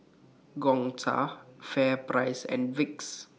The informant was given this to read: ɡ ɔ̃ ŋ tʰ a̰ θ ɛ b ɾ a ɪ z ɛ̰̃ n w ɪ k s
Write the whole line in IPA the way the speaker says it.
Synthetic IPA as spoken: ɡ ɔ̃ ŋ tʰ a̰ f ɛ p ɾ a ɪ s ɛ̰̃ n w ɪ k s